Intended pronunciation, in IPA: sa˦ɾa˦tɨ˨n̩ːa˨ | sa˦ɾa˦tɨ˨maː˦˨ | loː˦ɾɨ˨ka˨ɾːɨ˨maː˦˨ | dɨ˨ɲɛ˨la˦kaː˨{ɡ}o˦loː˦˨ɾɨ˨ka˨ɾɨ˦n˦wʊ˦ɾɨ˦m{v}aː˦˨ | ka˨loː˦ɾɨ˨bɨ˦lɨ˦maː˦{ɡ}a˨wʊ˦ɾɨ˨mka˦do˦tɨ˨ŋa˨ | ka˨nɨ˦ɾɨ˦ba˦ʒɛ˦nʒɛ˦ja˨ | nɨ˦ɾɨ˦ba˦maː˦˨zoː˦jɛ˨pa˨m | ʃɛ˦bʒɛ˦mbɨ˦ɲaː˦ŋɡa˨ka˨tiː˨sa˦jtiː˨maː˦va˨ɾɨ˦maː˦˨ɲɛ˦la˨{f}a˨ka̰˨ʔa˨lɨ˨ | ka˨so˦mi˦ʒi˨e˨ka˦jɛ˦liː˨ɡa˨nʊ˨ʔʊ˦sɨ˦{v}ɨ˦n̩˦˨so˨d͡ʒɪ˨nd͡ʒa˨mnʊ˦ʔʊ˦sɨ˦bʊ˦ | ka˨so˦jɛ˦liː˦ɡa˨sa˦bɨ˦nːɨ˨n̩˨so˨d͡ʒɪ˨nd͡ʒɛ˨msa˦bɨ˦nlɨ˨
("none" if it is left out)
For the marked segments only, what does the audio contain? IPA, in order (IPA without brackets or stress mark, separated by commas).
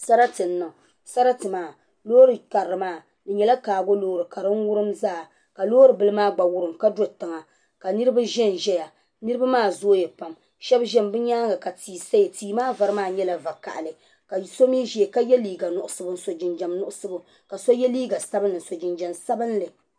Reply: ɡ, z, ɡ͡b, v, b